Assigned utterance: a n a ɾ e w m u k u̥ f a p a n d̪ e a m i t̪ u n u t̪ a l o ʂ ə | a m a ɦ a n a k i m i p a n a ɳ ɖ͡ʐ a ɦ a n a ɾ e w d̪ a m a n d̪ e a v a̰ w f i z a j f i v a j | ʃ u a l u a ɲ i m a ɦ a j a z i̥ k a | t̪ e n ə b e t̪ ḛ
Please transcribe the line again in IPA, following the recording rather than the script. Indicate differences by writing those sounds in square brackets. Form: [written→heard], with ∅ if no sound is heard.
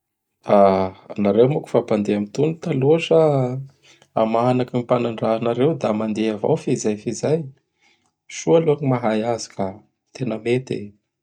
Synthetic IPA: a n a ɾ e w m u k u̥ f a p a n d̪ e a m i t̪ u n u t̪ a l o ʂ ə | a m a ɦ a n a k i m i p a n a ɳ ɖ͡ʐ a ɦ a n a ɾ e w d̪ a m a n d̪ e a v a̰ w f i z a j f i [v→z] a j | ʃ u a l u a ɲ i m a ɦ a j a z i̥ k a | t̪ e n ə [b→m] e t̪ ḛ